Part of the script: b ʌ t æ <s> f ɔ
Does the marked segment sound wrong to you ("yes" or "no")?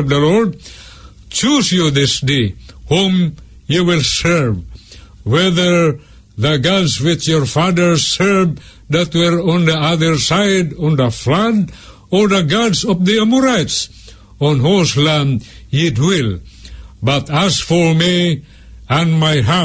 no